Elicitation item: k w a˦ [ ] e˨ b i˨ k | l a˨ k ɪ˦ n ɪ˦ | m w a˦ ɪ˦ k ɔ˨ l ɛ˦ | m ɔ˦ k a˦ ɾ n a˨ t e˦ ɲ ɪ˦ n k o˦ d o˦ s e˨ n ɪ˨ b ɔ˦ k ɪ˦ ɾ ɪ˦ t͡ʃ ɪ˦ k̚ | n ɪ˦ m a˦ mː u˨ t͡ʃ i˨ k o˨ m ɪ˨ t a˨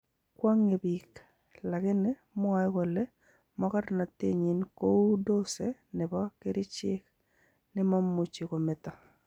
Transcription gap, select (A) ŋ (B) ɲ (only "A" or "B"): A